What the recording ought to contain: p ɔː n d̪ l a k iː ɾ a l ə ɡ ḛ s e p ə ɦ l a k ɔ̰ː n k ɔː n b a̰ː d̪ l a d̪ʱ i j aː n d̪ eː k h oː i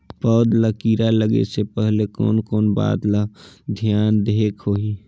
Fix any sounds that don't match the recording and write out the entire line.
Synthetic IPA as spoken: p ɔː d̪ l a k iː ɾ a l ə ɡ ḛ s e p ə ɦ l e k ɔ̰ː n k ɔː n b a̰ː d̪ l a d̪ʱ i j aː n d̪ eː k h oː i